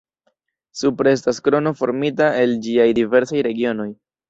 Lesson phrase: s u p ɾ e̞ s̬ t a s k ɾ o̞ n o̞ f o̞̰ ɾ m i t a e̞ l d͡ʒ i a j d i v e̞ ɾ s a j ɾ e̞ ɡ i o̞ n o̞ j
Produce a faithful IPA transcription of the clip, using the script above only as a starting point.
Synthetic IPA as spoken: s u p ɾ e̞ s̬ t a s k ɾ o̞ n o̞ f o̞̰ ɾ m i t a e̞ l d͡ʒ i a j d i v e̞ ɾ s a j ɾ e̞ ɡ i o̞ n o̞ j